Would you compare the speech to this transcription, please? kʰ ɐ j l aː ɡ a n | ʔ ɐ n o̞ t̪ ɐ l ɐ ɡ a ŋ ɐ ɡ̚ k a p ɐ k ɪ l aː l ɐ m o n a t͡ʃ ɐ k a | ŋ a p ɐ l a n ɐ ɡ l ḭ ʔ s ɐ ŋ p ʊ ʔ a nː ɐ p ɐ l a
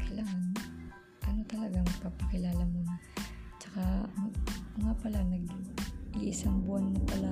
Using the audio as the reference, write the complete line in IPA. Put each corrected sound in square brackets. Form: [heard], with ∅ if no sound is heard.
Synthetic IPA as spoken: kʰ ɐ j l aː [ŋ] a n | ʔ ɐ n o̞ t̪ ɐ l ɐ ɡ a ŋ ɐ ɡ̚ [p] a p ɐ k ɪ l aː l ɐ m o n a t͡ʃ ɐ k a | ŋ a p ɐ l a n ɐ ɡ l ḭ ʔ s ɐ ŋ [b] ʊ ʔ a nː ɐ p ɐ l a